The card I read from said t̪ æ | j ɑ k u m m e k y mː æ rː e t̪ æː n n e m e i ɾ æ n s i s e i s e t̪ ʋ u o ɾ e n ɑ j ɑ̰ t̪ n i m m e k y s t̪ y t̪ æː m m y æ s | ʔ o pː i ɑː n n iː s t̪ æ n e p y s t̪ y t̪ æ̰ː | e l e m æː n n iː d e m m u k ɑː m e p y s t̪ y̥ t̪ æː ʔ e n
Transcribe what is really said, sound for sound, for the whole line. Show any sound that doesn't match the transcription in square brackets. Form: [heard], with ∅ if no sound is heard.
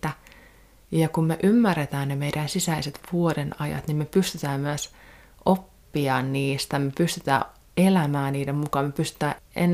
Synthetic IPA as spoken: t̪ æ | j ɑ k u m m e [ʔ] y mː æ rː e t̪ æː n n e m e i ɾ æ n s i s [æ] i s e t̪ ʋ u o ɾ e n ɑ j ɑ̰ t̪ n i m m e [p] y s t̪ y t̪ æː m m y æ s | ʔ o pː i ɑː n n iː s t̪ æ [m] e p y s t̪ y t̪ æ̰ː | e l [æ] m æː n n iː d e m m u k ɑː m e p y s t̪ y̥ t̪ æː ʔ e n